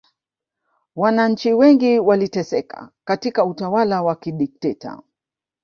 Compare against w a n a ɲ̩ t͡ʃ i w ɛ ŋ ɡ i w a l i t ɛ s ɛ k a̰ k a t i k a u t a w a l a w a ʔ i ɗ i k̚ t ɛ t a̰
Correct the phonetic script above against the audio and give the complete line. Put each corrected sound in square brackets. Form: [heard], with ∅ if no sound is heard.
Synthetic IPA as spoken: w a n a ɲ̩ t͡ʃ i w ɛ ŋ ɡ i w a l i t ɛ s ɛ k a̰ k a t i k a u t a w a l a w a [k] i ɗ i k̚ t ɛ t a̰